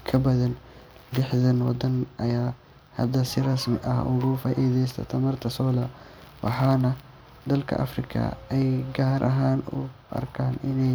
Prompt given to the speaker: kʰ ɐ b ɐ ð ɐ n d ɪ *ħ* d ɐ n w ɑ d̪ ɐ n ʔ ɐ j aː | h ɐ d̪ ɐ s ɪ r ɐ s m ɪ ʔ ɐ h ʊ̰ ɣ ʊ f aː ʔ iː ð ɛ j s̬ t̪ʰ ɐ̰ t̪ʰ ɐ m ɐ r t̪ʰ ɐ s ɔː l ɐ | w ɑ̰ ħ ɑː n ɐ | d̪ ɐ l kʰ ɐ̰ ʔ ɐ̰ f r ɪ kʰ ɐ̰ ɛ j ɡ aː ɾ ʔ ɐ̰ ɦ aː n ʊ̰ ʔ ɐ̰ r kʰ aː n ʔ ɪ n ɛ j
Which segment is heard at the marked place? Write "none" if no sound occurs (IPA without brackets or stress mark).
ħ